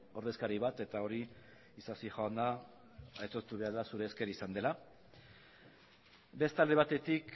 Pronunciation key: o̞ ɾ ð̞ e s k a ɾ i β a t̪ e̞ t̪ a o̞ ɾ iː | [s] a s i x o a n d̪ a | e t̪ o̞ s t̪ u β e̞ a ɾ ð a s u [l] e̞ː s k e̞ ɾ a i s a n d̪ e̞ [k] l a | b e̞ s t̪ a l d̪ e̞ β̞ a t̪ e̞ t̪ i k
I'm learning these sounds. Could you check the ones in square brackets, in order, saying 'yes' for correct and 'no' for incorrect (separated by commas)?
yes, no, no